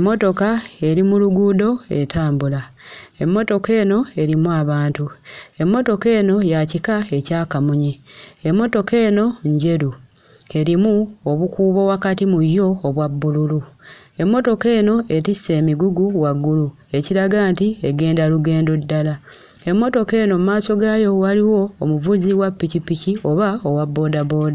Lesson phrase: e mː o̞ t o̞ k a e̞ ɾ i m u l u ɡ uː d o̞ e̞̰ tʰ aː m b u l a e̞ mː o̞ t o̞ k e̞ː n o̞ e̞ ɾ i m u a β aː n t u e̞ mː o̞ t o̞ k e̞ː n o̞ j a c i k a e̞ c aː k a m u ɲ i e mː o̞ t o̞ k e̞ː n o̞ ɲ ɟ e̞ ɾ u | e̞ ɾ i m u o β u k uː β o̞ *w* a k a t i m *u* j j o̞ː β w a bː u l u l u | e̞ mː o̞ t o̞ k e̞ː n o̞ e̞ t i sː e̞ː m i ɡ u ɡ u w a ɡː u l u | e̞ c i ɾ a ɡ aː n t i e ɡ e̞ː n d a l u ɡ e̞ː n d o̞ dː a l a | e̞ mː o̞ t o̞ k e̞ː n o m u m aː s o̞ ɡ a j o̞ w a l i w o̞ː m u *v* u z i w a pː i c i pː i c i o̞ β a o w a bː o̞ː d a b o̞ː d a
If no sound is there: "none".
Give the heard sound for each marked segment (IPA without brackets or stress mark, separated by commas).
w, u, v